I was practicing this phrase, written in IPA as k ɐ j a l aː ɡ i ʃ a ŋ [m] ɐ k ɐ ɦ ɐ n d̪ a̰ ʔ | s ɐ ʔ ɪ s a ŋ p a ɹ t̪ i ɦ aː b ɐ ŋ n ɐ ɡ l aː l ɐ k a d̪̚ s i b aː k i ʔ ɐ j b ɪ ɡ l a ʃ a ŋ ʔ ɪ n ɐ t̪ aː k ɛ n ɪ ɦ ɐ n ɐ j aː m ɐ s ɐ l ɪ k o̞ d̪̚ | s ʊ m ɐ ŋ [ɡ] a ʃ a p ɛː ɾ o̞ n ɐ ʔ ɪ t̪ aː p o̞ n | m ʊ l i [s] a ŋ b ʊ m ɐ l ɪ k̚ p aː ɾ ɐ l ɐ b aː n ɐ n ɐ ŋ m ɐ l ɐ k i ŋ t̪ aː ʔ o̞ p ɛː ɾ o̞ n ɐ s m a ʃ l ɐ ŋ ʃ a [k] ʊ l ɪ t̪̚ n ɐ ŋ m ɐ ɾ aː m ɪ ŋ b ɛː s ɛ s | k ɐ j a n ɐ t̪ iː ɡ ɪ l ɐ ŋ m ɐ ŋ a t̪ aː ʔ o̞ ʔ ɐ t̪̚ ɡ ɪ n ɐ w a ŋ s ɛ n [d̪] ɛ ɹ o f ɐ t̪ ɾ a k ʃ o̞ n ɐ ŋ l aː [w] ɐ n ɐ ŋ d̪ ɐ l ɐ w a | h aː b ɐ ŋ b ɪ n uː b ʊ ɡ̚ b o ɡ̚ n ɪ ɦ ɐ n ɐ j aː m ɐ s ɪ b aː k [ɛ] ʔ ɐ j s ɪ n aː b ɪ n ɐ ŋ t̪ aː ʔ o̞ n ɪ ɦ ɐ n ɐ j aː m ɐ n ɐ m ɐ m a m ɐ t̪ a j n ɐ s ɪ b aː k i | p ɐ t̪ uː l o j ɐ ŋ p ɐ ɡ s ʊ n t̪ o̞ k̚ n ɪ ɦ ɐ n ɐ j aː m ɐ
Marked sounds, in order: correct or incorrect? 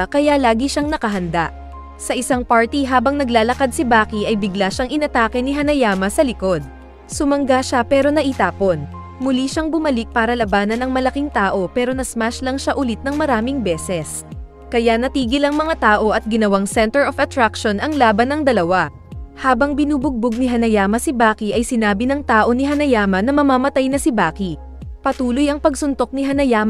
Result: incorrect, correct, incorrect, incorrect, incorrect, incorrect, incorrect

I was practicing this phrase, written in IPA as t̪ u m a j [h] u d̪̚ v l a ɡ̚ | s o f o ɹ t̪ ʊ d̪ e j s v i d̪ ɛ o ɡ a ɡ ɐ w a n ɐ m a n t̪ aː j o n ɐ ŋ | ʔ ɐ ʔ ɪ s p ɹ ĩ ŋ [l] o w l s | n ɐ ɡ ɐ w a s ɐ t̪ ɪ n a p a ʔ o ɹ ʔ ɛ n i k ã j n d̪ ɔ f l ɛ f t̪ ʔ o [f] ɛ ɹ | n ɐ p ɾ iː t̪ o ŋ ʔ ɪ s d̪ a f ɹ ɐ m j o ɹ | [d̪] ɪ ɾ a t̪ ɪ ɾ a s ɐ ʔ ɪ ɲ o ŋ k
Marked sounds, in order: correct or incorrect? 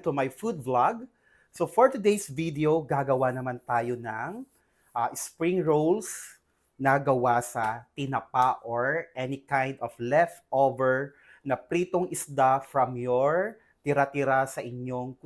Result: incorrect, incorrect, incorrect, incorrect

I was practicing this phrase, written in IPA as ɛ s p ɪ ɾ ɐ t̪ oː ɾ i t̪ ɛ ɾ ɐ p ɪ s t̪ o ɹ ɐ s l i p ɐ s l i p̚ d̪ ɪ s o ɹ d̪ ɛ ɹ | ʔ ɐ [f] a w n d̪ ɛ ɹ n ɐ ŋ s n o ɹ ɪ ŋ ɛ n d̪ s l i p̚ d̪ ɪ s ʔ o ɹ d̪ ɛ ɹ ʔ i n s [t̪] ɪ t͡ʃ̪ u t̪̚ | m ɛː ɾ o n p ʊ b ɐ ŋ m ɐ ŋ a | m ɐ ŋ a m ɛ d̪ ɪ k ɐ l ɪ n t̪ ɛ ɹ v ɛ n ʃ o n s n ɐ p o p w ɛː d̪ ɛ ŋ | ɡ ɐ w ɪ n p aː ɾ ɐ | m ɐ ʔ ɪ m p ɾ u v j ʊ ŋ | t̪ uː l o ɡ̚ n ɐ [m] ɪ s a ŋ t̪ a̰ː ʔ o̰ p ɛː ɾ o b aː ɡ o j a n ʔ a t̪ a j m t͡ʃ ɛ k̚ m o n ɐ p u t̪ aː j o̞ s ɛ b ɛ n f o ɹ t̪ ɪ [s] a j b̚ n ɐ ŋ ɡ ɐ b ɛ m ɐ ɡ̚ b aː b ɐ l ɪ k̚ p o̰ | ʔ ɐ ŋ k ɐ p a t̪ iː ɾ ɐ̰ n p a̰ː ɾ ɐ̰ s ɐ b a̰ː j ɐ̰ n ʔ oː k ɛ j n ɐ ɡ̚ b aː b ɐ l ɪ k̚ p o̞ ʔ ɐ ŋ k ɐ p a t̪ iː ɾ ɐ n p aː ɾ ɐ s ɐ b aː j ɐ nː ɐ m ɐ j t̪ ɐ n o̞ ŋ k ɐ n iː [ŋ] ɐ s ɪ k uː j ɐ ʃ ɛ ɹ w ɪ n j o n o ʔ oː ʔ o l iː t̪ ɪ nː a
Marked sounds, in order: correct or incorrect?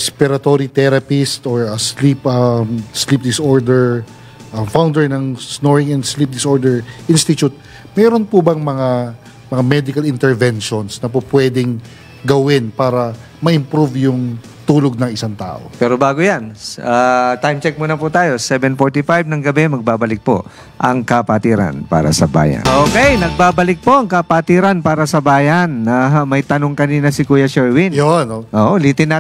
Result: correct, correct, incorrect, incorrect, incorrect

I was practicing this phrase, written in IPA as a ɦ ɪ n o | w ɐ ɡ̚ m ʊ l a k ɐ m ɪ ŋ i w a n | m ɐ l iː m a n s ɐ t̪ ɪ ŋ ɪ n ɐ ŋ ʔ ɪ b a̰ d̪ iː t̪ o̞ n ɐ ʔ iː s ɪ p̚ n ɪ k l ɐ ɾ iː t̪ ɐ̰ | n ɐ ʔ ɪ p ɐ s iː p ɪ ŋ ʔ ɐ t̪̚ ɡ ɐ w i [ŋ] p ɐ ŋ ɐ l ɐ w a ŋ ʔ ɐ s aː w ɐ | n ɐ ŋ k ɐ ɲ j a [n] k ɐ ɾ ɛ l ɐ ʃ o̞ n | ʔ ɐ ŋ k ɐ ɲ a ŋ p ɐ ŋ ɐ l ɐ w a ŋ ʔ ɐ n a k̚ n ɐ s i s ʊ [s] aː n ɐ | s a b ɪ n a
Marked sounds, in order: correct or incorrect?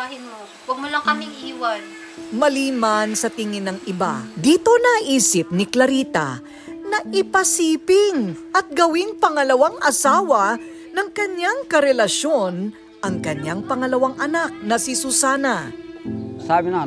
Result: correct, incorrect, correct

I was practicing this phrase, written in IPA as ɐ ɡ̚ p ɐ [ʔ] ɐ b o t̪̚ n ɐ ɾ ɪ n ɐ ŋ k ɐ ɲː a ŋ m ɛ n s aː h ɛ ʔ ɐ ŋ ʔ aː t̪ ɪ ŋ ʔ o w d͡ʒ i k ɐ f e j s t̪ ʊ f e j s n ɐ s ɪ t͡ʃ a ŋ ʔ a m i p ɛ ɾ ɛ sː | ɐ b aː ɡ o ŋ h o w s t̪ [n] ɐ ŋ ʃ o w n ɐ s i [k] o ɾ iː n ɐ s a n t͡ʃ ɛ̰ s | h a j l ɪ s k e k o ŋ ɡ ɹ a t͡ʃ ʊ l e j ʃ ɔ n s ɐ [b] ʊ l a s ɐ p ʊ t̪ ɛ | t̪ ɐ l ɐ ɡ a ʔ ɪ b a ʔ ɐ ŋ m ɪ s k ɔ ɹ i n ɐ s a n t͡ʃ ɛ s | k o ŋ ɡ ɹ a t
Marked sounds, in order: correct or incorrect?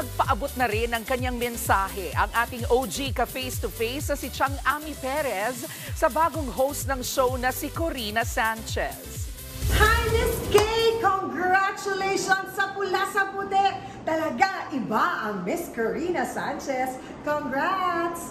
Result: correct, correct, correct, incorrect

